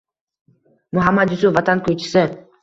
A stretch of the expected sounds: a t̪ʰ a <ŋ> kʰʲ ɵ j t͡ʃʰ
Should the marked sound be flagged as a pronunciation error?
yes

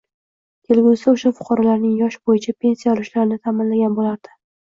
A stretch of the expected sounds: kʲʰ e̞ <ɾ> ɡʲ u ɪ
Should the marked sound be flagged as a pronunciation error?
yes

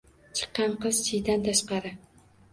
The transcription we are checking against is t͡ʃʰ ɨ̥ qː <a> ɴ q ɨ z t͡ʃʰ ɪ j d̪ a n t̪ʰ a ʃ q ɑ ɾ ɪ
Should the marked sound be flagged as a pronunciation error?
yes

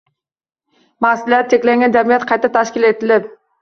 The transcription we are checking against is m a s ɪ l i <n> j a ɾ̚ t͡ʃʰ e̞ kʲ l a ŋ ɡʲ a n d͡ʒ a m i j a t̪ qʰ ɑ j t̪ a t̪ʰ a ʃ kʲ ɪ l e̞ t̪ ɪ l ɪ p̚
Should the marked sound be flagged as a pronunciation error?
yes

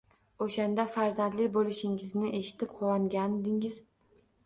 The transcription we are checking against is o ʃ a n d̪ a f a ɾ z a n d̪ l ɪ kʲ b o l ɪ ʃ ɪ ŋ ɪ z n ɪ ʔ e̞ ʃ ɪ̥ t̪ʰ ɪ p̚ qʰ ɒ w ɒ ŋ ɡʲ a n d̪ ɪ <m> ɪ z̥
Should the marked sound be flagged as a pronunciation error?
yes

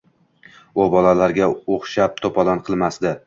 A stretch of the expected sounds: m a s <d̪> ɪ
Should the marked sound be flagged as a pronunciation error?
no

